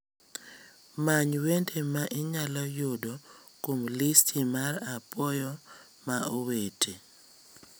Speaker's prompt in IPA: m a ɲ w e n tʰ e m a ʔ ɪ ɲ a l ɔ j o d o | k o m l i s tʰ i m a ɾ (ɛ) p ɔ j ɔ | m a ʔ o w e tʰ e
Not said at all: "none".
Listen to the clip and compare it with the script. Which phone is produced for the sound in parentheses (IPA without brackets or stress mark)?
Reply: a